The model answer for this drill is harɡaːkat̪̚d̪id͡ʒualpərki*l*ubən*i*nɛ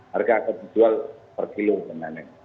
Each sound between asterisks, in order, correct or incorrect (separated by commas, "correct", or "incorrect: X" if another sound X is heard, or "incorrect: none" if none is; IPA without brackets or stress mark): correct, incorrect: a